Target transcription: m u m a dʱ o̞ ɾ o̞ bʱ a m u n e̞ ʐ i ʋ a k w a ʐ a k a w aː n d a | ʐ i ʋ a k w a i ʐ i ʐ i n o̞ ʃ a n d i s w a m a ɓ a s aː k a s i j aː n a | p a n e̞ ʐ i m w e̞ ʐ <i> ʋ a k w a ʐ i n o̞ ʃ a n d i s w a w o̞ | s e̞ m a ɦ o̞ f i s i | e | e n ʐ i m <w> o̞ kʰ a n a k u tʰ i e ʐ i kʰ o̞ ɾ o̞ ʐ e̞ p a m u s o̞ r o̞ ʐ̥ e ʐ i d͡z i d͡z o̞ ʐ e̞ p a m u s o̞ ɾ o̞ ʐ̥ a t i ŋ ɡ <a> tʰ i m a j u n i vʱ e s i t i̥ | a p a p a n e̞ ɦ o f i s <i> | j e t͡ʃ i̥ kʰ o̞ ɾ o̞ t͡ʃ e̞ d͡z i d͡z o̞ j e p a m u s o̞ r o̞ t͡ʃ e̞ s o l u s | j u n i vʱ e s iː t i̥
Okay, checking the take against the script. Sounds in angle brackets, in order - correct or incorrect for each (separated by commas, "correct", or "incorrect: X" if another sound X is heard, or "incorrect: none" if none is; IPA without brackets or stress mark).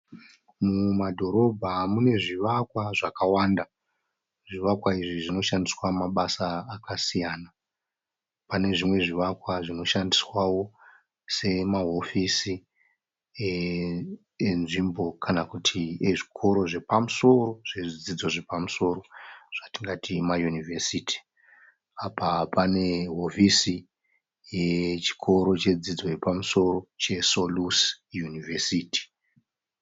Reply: correct, incorrect: b, correct, correct